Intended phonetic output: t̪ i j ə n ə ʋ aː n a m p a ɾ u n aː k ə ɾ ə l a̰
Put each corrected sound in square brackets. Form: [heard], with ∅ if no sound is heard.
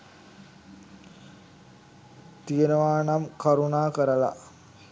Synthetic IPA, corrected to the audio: t̪ i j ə n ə ʋ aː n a m [k] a ɾ u n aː k ə ɾ ə l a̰